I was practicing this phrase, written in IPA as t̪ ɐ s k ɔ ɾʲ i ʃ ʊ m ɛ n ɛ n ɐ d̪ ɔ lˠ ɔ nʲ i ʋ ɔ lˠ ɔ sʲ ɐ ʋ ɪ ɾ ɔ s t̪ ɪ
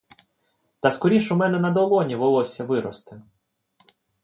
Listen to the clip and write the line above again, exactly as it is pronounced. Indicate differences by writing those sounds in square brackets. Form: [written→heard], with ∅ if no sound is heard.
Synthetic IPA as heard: t̪ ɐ s k ɔ ɾʲ i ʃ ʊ m ɛ n ɛ n ɐ d̪ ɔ lˠ ɔ nʲ i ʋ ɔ lˠ ɔ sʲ ɐ ʋ ɪ ɾ ɔ s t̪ ɪ